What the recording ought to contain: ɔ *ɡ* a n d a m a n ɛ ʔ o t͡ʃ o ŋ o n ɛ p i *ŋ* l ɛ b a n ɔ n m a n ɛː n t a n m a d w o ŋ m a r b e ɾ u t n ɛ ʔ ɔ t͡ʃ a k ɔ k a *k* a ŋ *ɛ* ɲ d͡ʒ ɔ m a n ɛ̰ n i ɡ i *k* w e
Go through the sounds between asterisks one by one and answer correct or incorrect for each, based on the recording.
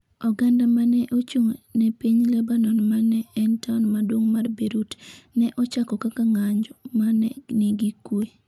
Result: correct, incorrect, correct, incorrect, correct

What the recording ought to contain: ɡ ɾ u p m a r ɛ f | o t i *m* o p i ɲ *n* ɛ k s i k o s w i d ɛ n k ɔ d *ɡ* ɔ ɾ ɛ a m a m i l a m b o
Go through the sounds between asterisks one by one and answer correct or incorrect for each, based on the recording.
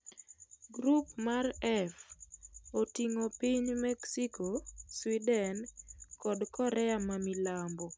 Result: incorrect, incorrect, incorrect

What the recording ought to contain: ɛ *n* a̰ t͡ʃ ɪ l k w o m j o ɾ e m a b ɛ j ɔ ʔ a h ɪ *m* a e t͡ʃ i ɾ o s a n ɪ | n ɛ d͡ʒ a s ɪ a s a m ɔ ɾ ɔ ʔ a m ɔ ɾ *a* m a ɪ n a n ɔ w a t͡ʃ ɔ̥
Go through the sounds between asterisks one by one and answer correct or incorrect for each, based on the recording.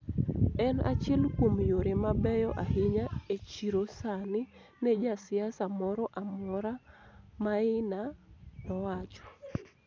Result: correct, incorrect, correct

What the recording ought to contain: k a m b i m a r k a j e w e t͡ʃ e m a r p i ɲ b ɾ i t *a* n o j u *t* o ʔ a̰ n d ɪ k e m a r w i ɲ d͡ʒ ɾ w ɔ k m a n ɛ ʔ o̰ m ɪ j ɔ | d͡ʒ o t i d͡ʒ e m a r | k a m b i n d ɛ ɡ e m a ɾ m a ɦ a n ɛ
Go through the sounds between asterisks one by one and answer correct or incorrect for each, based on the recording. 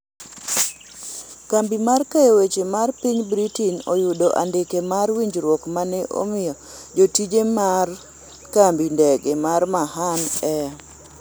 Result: incorrect, incorrect

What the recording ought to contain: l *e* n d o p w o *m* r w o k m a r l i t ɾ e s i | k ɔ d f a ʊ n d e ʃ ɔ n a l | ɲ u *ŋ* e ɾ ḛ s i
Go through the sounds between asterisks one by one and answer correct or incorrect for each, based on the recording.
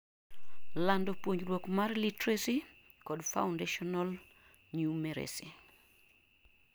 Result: incorrect, incorrect, incorrect

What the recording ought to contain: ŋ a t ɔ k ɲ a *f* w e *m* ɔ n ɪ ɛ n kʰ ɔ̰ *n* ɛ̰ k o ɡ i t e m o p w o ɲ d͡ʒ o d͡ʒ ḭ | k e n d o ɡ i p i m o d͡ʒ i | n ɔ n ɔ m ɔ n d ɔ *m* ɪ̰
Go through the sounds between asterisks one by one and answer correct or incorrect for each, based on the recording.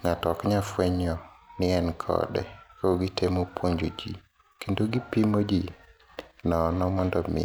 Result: correct, incorrect, incorrect, correct

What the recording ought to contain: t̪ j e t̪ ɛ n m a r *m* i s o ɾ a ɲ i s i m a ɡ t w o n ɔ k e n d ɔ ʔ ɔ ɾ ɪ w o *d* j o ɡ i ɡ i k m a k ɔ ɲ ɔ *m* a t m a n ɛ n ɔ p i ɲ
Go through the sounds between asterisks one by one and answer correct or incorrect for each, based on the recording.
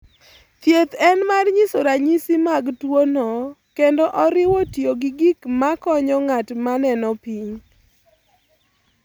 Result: incorrect, incorrect, incorrect

